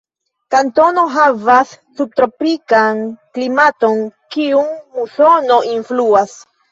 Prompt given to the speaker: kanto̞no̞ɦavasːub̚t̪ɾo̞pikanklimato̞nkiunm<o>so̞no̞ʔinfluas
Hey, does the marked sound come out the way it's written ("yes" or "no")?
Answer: no